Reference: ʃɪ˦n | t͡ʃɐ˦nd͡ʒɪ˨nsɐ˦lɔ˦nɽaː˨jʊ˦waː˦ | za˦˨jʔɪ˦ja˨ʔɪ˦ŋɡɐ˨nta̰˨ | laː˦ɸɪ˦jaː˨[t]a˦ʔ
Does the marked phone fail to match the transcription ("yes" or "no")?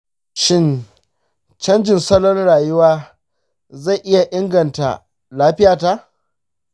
no